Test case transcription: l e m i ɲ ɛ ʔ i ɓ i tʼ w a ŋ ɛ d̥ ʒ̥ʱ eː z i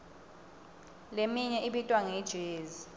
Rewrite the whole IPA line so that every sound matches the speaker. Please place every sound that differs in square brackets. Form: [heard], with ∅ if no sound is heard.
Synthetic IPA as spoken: l e m i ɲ ɛ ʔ i ɓ i tʼ w a ŋ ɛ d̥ ʒ̥ʱ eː z i